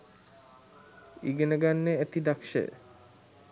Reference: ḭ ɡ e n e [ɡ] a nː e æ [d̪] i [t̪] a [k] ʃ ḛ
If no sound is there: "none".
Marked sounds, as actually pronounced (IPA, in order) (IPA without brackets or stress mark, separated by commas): ɡ, t̪, d̪, k